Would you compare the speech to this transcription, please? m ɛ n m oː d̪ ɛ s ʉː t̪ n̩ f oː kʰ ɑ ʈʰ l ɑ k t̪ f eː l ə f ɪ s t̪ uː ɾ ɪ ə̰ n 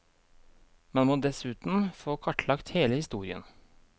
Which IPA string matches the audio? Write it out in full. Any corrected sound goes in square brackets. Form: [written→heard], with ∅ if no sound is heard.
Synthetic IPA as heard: m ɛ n m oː d̪ ɛ s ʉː t̪ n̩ f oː kʰ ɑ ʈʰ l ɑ k t̪ [f→h] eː l ə [f→h] ɪ s t̪ uː ɾ ɪ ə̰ n